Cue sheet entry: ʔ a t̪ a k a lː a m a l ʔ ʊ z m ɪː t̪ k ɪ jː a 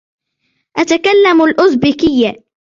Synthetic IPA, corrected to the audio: ʔ a t̪ a k a lː a m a l ʔ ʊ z b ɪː k ɪ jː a